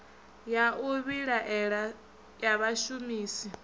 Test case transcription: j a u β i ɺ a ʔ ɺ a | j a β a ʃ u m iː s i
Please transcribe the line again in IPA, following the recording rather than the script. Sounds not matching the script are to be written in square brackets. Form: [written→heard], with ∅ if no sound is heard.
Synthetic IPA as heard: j a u β i ɺ a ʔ ɺ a | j a β a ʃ u m iː s i

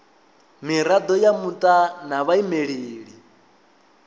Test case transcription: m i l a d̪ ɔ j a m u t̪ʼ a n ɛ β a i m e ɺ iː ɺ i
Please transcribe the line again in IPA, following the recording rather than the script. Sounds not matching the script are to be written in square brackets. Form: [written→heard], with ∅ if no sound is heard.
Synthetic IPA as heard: m i [l→ɾ] a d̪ ɔ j a m u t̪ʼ a n [ɛ→a] β a i m e ɺ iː ɺ i

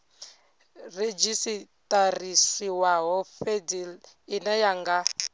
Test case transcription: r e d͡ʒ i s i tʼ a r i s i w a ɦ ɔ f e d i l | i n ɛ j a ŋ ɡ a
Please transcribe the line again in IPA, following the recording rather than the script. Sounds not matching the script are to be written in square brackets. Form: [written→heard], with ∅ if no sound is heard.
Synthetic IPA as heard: r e d͡ʒ i s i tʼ a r i s i w a ɦ ɔ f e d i l | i n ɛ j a ŋ ɡ a

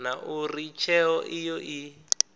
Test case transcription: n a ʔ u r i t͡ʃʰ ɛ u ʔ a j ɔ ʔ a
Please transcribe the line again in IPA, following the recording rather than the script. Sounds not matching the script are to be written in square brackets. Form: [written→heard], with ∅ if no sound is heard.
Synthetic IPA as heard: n a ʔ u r i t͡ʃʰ ɛ [u→ɔ] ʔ [a→i] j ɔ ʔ [a→i]

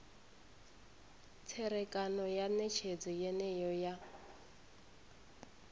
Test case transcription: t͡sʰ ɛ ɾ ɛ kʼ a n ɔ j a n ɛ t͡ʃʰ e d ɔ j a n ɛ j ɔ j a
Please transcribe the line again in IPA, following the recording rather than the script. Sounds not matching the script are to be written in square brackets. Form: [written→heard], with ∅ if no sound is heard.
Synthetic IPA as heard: t͡sʰ ɛ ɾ ɛ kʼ a n ɔ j a n ɛ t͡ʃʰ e [d→d͡z] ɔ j [a→ɛ] n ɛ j ɔ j a

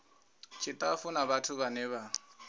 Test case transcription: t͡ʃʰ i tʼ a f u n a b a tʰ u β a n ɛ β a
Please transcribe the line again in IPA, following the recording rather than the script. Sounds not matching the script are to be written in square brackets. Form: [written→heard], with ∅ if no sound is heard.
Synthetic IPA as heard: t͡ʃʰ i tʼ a f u n a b a tʰ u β a n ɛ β a

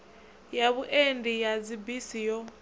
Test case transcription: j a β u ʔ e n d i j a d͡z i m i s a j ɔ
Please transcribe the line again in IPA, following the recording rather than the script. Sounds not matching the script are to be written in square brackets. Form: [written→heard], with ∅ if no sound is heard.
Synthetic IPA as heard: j a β u ʔ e n d i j a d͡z i [m→b] i s [a→i] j ɔ

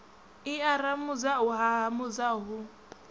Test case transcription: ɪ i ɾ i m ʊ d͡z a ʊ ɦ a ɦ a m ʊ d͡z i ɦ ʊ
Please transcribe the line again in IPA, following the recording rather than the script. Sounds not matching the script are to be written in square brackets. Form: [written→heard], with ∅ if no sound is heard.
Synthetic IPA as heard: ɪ [i→a] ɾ [i→a] m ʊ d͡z a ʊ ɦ a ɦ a m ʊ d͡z [i→a] ɦ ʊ

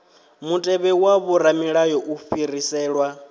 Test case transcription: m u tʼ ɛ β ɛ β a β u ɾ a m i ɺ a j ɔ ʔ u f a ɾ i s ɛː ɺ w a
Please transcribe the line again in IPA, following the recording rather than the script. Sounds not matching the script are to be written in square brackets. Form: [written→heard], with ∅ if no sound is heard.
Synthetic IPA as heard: m u tʼ ɛ β ɛ [β→w] a β u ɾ a m i ɺ a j ɔ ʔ u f [a→i] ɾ i s ɛː ɺ w a

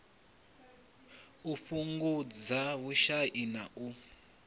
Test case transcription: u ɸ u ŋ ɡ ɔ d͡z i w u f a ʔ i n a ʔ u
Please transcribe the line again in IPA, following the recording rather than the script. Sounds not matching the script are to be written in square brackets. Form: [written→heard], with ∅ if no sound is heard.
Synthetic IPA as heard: u ɸ u ŋ ɡ [ɔ→u] d͡z [i→a] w u [f→ʃ] a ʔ i n a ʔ u

